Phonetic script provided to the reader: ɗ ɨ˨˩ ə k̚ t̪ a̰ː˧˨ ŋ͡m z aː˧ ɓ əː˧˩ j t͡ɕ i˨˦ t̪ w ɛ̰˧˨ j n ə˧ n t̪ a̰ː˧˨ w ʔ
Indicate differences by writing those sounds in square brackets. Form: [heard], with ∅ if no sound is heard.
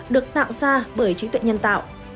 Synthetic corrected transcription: ɗ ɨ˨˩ ə k̚ t̪ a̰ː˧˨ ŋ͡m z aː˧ ɓ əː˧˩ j t͡ɕ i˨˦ t̪ w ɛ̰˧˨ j [ɲ] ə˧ n t̪ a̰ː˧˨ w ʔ